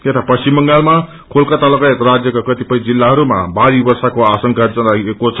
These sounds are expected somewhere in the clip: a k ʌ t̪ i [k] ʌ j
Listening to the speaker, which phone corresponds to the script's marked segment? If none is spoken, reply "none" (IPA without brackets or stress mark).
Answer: p